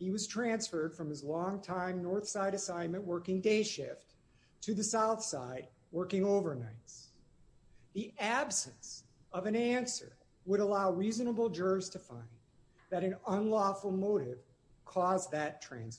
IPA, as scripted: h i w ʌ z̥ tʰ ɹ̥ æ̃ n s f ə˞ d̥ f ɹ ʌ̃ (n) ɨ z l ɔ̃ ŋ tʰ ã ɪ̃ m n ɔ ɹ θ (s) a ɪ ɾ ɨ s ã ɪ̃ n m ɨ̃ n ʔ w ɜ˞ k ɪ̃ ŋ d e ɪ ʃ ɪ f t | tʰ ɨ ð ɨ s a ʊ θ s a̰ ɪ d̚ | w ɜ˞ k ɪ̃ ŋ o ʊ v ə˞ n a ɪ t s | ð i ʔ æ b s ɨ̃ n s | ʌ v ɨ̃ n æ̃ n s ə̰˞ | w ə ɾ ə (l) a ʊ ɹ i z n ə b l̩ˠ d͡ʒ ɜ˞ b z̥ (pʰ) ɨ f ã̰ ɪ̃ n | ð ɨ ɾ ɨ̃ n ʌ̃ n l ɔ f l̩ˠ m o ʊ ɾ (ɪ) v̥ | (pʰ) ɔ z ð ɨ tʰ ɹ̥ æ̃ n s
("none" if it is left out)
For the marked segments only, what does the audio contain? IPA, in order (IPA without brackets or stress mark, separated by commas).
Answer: m, s, l, tʰ, ɪ, kʰ